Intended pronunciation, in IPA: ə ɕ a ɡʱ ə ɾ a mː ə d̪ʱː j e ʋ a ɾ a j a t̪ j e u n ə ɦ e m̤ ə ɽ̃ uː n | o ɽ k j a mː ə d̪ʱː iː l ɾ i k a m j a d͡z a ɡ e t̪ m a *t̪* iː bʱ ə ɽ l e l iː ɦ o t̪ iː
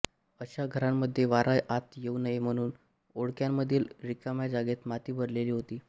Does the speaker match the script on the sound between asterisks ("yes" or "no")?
yes